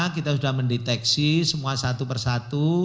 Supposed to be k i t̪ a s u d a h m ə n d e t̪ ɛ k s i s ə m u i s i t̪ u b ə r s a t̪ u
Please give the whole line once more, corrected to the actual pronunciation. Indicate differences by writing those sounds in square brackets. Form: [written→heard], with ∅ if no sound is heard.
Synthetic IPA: k i t̪ a s u d a h m ə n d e t̪ ɛ k s i s ə m u [i→a] s [i→a] t̪ u [b→p] ə r s a t̪ u